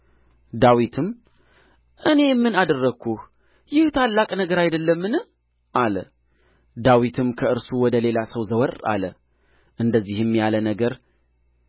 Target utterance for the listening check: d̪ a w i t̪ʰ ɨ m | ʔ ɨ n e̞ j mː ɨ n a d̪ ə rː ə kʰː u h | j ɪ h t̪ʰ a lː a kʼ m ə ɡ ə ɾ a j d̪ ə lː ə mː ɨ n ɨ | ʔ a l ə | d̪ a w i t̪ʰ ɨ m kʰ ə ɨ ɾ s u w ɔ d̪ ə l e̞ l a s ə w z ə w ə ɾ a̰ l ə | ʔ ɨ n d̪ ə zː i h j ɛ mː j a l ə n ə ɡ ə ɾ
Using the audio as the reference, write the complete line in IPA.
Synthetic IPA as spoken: d̪ a w i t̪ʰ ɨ m | ʔ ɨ n e̞ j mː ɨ n a d̪ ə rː ə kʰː u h | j ɪ h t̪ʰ a lː a kʼ n ə ɡ ə ɾ a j d̪ ə lː ə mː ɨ n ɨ | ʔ a l ə | d̪ a w i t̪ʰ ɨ m kʰ ə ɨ ɾ s u w ɔ d̪ ə l e̞ l a s ə w z ə w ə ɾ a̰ l ə | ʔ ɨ n d̪ ə zː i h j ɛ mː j a l ə n ə ɡ ə ɾ

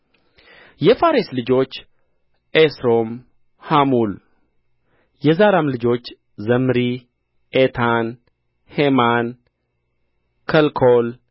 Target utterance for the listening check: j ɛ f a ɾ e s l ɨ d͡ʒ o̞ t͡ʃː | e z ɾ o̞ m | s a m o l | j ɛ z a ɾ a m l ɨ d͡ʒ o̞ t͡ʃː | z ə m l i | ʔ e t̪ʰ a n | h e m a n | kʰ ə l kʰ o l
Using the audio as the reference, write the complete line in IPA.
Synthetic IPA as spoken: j ɛ f a ɾ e s l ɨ d͡ʒ o̞ t͡ʃː | e s ɾ o̞ m | h a m u l | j ɛ z a ɾ a m l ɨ d͡ʒ o̞ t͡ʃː | z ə m ɾ i | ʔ e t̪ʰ a n | h e m a n | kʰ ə l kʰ o l

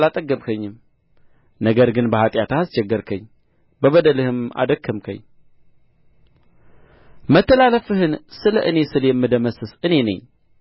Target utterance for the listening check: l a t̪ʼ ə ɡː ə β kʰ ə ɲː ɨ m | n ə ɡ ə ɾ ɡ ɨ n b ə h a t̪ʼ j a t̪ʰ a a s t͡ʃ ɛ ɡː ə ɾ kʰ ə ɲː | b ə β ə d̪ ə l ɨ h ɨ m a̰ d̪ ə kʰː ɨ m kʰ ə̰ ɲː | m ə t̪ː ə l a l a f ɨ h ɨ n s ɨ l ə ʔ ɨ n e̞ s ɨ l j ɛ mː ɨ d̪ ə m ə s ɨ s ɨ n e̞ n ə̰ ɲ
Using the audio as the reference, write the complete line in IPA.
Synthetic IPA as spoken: l a t̪ʼ ə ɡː ə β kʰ ə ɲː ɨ m | n ə ɡ ə ɾ ɡ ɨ n b ə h a t̪ʼ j a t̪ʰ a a s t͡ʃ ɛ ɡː ə ɾ kʰ ə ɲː | b ə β ə d̪ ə l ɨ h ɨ m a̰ d̪ ə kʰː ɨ m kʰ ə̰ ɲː | m ə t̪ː ə l a l ə f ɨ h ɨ n s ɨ l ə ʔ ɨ n e̞ s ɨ l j ɛ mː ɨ d̪ ə m ə s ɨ s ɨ n e̞ n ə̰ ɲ

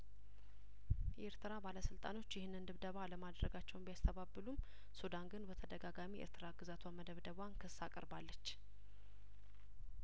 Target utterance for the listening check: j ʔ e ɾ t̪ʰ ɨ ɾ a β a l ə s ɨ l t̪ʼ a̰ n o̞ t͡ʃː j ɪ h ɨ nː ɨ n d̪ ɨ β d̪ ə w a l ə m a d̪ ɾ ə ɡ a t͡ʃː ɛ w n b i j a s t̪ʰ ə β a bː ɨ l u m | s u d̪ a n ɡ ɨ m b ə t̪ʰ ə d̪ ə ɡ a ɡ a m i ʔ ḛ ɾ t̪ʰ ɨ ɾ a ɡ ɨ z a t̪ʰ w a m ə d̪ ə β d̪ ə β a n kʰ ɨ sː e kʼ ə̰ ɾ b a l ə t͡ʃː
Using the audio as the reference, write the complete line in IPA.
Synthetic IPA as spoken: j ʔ e ɾ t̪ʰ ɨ ɾ a b a l ə s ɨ l t̪ʼ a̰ n o̞ t͡ʃː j ɪ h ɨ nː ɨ n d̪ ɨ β d̪ ə β a l ə m a d̪ ɾ ə ɡ a t͡ʃː ɛ w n b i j a s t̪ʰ ə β a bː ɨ l u m | s u d̪ a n ɡ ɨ n b ə t̪ʰ ə d̪ ə ɡ a ɡ a m i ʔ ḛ ɾ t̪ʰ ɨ ɾ a ɡ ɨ z a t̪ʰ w a m ə d̪ ə β d̪ ə β a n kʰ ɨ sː a kʼ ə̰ ɾ b a lː ə t͡ʃː

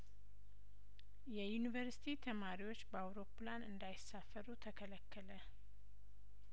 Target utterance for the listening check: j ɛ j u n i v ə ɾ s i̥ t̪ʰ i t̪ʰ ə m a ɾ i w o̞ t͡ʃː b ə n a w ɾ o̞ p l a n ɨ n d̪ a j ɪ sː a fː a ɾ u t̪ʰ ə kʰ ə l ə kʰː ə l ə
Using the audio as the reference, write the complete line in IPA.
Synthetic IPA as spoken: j ɛ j u n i v ə ɾ s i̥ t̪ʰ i t̪ʰ ə m a ɾ i w o̞ t͡ʃː b ə a w ɾ o̞ p l a n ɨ n d̪ a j ɪ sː a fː ə ɾ u t̪ʰ ə kʰ ə l ə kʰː ə l ə

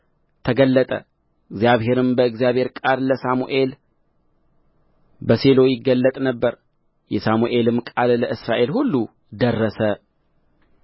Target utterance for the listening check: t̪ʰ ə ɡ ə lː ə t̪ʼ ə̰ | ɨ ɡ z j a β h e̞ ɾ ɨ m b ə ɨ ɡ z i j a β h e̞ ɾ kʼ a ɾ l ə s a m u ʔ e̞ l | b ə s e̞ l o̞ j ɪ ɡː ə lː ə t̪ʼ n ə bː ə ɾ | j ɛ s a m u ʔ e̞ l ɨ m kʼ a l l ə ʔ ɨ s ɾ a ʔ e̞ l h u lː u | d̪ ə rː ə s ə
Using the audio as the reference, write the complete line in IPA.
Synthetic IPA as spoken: t̪ʰ ə ɡ ə lː ə t̪ʼ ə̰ | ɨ ɡ z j a β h e̞ ɾ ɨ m b ə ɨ ɡ z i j a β h e̞ ɾ kʼ a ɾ l ə s a m u ʔ e̞ l | b ə s e̞ l o̞ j ɪ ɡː ə lː ə t̪ʼ n ə bː ə ɾ | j ɛ s a m u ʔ e̞ l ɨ m kʼ a l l ə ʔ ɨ s ɾ a ʔ e̞ l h u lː u | d̪ ə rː ə s ə

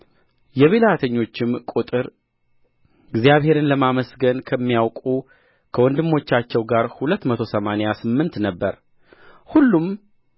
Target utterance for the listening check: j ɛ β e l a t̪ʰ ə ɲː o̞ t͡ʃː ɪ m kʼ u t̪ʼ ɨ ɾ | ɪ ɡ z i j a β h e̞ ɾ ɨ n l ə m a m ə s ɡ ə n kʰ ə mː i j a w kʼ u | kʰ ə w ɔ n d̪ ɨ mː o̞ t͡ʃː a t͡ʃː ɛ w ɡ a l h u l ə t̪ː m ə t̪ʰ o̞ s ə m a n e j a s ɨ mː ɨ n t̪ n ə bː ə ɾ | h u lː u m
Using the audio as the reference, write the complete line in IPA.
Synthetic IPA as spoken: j ɛ β e l a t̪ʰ ə ɲː o̞ t͡ʃː ɪ m kʼ u t̪ʼ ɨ ɾ | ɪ ɡ z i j a β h e̞ ɾ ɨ n l ə m a m ə s ɡ ə n kʰ ə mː i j a w kʼ u | kʰ ə w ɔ n d̪ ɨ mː o̞ t͡ʃː a t͡ʃː ɛ w ɡ a ɾ h u l ə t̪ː m ə t̪ʰ o̞ s ə m a n e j a s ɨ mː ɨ n t̪ n ə bː ə ɾ | h u lː u m

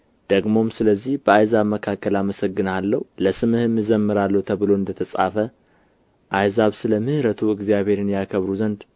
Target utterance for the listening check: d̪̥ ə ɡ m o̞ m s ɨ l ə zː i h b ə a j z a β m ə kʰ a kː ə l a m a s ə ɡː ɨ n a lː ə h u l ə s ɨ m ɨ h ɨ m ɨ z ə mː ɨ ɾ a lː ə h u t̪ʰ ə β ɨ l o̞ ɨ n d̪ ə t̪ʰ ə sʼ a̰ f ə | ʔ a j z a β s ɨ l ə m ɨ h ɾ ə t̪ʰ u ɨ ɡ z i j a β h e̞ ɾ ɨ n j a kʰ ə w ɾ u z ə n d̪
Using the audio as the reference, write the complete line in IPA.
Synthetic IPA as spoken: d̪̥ ə ɡ m o̞ m s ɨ l ə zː i h b ə a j z a β m ə kʰ a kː ə l a m ə s ə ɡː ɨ n a lː ə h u l ə s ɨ m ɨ h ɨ m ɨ z ə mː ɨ ɾ a lː ə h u t̪ʰ ə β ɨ l o̞ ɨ n d̪ ə t̪ʰ ə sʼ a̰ f ə | ʔ a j z a β s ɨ l ə m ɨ h ɾ ə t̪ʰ u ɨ ɡ z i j a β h e̞ ɾ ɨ n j a kʰ ə β ɾ u z ə n d̪

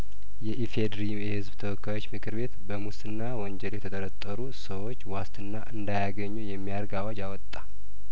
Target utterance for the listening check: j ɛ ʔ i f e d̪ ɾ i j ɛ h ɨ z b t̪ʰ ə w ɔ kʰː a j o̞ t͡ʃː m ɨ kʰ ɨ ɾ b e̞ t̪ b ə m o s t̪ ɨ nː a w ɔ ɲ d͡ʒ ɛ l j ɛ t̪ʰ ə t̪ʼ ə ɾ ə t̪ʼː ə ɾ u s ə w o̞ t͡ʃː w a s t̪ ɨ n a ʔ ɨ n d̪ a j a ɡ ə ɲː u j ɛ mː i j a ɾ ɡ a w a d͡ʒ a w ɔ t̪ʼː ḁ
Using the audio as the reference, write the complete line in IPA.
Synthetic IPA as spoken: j ɛ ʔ i f e d̪ ɾ i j ɛ h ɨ z b t̪ʰ ə w ɔ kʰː a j o̞ t͡ʃː m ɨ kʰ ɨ ɾ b e̞ t̪ b ə m u s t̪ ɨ nː a w ɔ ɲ d͡ʒ ɛ l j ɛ t̪ʰ ə t̪ʼ ə ɾ ə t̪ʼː ə ɾ u s ə w o̞ t͡ʃː w a s t̪ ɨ nː a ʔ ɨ n d̪ a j a ɡ ə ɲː u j ɛ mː i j a ɾ ɡ a w a d͡ʒ a w ɔ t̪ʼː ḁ

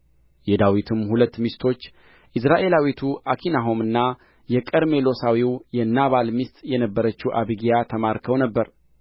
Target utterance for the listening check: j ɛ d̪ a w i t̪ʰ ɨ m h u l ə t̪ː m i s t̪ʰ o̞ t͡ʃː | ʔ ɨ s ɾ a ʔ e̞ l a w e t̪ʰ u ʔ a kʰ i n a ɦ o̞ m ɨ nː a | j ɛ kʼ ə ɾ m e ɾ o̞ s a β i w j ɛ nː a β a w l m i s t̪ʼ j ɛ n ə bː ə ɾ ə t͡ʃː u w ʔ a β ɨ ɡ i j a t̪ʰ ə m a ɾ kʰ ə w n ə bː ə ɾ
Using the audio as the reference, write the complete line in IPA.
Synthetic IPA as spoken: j ɛ d̪ a w i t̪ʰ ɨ m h u l ə t̪ː m i s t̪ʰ o̞ t͡ʃː | ʔ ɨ s ɾ a ʔ e̞ l a w i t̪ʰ u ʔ a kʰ i n a ɦ o̞ m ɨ nː a | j ɛ kʼ ə ɾ m e l o̞ s a w i w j ɛ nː a β a l m i s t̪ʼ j ɛ n ə bː ə ɾ ə t͡ʃː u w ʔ a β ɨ ɡ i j a t̪ʰ ə m a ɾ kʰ ə w n ə bː ə ɾ

